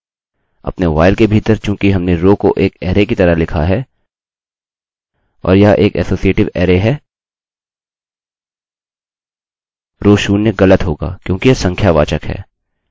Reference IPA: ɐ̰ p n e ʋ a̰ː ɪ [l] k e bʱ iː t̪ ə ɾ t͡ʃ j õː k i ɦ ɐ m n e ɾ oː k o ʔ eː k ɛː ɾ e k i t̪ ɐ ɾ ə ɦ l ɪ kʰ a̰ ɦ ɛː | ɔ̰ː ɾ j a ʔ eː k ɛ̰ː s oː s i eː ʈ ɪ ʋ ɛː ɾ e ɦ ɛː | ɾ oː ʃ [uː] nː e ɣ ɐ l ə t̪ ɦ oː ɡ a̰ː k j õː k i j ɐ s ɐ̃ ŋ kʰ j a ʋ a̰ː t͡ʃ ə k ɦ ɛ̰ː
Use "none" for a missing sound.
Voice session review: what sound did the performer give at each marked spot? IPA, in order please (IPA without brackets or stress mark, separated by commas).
l, uː